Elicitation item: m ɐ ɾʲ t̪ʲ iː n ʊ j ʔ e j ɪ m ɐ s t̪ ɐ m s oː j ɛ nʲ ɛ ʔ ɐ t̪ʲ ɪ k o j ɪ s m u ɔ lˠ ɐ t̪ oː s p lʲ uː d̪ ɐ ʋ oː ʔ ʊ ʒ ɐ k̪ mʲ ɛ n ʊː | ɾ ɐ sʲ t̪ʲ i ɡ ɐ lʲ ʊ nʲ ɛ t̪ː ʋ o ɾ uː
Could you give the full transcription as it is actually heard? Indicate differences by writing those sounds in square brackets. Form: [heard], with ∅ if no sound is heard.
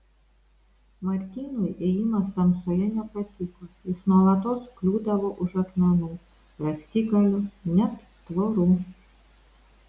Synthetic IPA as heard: m ɐ ɾʲ t̪ʲ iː n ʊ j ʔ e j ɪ m ɐ s t̪ ɐ m s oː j ɛ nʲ ɛ [p] ɐ t̪ʲ ɪ k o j ɪ s [n] u ɔ lˠ ɐ t̪ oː s [k] lʲ uː d̪ ɐ ʋ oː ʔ ʊ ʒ ɐ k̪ mʲ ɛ n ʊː | ɾ ɐ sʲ t̪ʲ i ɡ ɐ lʲ ʊ nʲ ɛ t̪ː ʋ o ɾ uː